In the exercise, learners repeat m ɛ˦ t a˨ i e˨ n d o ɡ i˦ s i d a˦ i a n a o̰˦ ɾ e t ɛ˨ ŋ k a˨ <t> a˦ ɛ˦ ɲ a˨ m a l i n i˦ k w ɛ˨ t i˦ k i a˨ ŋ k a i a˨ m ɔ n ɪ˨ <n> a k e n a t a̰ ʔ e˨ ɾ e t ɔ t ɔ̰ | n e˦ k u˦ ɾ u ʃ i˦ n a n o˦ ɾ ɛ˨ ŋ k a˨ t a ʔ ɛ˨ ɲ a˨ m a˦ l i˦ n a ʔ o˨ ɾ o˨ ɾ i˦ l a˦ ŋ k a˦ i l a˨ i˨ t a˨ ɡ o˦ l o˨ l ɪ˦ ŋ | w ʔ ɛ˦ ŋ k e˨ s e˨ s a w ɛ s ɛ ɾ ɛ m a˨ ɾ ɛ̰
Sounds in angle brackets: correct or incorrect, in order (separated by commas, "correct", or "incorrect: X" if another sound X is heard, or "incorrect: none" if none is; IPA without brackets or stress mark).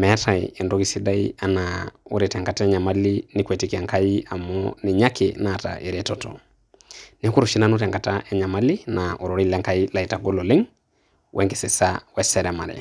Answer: correct, incorrect: ɲ